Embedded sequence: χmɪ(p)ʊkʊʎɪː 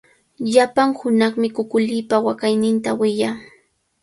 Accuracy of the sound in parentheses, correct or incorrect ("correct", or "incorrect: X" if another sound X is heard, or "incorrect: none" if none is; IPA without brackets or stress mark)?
incorrect: k